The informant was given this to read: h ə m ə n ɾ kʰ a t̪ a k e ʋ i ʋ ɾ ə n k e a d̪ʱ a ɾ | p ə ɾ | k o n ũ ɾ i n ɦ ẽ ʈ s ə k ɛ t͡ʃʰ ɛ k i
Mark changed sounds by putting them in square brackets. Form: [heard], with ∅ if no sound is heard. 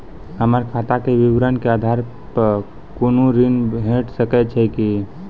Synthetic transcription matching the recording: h ə m ə [∅] ɾ kʰ a t̪ a k e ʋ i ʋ ɾ ə n k e a d̪ʱ a ɾ | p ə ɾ | k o n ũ ɾ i n ɦ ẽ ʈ s ə k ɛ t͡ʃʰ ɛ k i